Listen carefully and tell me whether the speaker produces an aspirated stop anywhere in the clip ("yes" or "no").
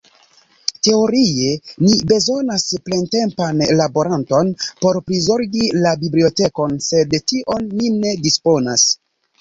no